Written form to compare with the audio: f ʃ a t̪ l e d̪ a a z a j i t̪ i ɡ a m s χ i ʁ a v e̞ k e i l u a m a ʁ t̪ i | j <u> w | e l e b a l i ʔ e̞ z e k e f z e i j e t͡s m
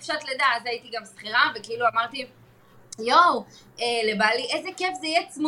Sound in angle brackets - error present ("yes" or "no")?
yes